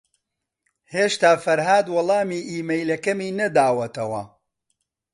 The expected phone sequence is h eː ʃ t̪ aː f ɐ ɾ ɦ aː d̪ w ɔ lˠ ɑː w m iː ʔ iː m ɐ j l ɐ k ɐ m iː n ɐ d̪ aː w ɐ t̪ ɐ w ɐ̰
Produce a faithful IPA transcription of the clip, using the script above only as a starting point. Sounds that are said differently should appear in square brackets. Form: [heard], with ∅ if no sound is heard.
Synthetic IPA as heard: h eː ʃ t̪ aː f ɐ ɾ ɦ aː d̪ w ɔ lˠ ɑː [∅] m iː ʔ iː m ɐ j l ɐ k ɐ m iː n ɐ d̪ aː w ɐ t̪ ɐ w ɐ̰